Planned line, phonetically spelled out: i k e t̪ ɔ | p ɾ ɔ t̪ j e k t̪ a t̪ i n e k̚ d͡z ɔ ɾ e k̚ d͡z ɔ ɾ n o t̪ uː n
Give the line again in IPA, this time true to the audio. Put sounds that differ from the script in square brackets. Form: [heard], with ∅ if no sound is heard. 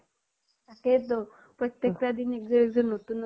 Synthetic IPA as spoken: [a] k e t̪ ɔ | p ɾ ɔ t̪ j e k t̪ a [d̪] i n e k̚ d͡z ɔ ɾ e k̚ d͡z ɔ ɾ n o t̪ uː n